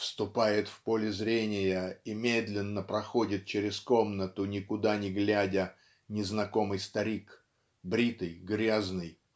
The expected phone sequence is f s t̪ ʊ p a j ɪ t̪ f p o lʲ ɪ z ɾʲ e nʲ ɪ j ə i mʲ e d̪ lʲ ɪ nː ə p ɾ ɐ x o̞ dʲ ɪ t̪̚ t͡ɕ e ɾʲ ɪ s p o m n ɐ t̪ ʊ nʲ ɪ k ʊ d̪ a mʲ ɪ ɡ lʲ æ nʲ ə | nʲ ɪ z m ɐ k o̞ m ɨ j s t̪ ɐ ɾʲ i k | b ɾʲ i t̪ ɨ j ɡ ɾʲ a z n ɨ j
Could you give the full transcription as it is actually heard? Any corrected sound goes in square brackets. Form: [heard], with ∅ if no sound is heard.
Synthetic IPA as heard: f s t̪ ʊ p a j ɪ t̪ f p o lʲ ɪ z ɾʲ e nʲ ɪ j ə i mʲ e d̪ lʲ ɪ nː ə p ɾ ɐ x o̞ dʲ ɪ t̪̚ t͡ɕ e ɾʲ ɪ s [k] o m n [ə] t̪ ʊ nʲ ɪ k ʊ d̪ a [nʲ] ɪ ɡ lʲ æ [dʲ] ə | nʲ ɪ z [n] ɐ k o̞ m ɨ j s t̪ ɐ ɾʲ i k | b ɾʲ i t̪ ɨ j ɡ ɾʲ a z n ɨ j

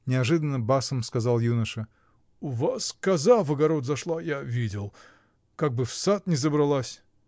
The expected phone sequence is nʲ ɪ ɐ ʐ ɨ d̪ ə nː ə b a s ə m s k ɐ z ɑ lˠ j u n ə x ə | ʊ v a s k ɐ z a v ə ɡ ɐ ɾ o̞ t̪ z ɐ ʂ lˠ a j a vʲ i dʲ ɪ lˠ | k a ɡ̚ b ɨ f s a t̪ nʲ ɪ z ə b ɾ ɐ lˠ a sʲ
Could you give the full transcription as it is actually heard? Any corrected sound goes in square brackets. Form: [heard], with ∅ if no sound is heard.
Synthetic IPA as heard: nʲ ɪ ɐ ʐ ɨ d̪ ə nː ə b a s ə m s k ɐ z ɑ lˠ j u n ə [ʂ] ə | ʊ v a s k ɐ z a v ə ɡ ɐ ɾ o̞ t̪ z ɐ ʂ lˠ a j a vʲ i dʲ ɪ lˠ | k a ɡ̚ b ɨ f s a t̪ nʲ ɪ z ə b ɾ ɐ lˠ a sʲ

